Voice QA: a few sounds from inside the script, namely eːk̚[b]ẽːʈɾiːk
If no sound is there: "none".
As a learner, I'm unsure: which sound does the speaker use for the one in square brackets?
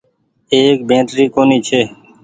b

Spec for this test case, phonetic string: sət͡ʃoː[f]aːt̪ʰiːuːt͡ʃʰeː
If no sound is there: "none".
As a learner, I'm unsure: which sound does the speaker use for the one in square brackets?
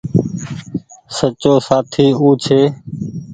s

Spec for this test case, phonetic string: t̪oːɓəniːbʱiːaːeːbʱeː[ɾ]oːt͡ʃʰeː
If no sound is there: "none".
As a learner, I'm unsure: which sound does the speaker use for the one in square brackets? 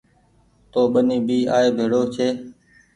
ɽ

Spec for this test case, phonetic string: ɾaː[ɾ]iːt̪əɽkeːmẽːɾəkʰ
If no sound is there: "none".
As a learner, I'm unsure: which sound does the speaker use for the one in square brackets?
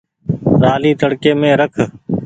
l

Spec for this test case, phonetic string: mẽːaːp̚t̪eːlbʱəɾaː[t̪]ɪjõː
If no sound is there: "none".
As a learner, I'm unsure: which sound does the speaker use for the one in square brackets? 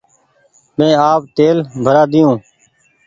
d̪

